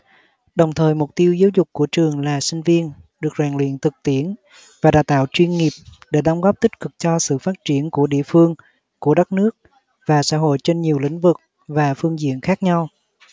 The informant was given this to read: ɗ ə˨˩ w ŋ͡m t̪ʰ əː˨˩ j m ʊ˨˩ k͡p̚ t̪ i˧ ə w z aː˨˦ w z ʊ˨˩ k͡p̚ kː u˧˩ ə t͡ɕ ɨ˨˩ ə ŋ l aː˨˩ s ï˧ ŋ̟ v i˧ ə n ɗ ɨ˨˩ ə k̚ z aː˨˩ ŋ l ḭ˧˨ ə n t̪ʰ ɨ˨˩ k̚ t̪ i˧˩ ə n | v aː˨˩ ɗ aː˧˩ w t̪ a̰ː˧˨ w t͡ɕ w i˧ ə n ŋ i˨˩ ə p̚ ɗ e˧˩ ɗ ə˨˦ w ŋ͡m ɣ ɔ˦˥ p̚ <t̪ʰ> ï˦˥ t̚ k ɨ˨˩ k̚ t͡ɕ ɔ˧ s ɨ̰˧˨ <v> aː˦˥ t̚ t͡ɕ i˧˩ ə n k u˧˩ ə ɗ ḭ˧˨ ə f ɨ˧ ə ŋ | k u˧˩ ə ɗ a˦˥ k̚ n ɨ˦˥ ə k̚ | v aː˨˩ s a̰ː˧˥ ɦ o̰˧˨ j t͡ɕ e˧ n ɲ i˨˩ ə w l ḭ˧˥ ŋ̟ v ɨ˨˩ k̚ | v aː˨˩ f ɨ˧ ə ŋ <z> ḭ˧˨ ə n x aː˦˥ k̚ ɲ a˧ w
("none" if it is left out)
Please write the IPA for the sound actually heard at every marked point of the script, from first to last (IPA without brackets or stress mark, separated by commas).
t̪, f, z